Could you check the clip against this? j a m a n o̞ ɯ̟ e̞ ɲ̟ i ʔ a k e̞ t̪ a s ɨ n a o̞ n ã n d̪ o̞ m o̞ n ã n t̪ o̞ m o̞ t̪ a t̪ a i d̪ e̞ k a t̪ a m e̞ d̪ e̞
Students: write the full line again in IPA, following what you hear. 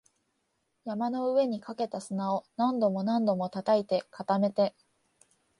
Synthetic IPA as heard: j a m a n o̞ ɯ̟ e̞ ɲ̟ i k a k e̞ t̪ a s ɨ n a o̞ n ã n d̪ o̞ m o̞ n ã n d̪ o̞ m o̞ t̪ a t̪ a i t̪ e̞ k a t̪ a m e̞ t̪ e̞